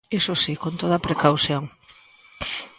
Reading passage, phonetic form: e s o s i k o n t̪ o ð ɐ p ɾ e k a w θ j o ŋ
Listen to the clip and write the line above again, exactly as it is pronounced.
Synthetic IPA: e s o s i k o n t̪ o ð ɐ p ɾ e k a w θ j o ŋ